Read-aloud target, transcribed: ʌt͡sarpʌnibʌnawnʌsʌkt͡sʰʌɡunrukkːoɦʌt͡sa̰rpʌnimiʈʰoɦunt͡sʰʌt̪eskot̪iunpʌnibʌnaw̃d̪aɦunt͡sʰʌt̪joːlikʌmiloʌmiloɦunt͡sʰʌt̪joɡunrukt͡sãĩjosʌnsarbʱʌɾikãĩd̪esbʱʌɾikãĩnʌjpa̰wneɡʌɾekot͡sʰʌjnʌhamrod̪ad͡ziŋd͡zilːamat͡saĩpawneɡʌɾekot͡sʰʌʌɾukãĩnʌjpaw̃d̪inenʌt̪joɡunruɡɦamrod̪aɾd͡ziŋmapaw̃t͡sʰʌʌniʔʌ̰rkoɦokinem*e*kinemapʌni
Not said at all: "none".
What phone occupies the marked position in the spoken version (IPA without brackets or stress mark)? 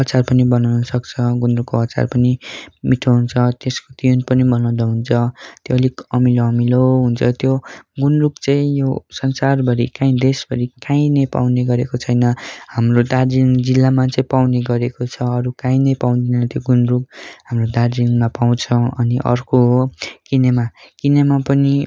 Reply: a